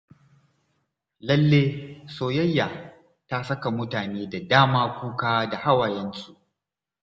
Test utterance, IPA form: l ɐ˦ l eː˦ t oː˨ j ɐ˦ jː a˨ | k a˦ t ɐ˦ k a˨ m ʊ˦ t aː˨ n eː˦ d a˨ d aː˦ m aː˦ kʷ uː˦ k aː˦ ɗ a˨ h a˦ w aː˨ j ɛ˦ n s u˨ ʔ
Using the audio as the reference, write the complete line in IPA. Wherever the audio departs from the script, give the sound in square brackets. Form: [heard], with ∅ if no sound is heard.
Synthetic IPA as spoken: l ɐ˦ [lː] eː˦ [s] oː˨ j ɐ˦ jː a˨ | [t] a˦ [s] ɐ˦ k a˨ m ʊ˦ t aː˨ n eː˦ d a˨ d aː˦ m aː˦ kʷ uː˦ k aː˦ [d] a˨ h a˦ w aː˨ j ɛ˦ n s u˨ ʔ